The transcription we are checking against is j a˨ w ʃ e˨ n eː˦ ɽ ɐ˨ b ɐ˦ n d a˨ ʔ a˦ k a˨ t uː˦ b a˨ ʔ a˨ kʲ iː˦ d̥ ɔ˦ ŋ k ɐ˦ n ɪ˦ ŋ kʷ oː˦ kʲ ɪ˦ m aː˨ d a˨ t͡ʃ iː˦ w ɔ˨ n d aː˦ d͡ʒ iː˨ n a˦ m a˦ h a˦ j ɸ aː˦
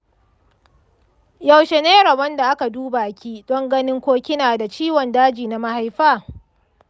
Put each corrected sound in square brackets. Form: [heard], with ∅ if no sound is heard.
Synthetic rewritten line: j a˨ w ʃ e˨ n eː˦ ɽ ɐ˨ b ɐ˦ n d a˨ ʔ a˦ k a˨ [d] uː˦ b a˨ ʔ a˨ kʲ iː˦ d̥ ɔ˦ ŋ [ɡ] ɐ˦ n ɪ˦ ŋ kʷ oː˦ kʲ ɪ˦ [n] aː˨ d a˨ t͡ʃ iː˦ w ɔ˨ n d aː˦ d͡ʒ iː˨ n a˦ m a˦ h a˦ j ɸ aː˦